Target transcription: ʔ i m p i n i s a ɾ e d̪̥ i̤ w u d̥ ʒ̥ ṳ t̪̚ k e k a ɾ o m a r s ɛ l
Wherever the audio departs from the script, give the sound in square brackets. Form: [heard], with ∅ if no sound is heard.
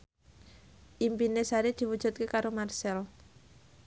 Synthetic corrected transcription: ʔ i m p i n [e] s a ɾ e d̪̥ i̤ w u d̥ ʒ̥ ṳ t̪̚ k e k a ɾ o m a r s ɛ l